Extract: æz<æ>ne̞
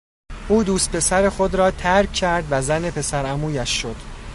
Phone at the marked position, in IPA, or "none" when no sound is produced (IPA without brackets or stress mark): æ